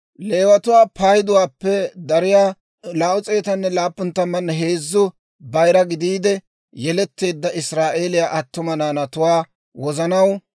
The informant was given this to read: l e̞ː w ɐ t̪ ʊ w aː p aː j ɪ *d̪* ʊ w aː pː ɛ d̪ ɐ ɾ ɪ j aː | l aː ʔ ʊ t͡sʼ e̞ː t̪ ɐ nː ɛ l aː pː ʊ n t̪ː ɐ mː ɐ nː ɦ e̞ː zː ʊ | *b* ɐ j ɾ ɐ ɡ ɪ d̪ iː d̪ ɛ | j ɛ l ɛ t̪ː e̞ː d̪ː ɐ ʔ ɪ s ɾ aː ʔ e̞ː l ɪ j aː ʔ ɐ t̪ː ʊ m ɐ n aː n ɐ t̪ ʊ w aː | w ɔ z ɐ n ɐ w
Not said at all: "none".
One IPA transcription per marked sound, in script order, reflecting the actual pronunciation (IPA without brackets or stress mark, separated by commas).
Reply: d̪, b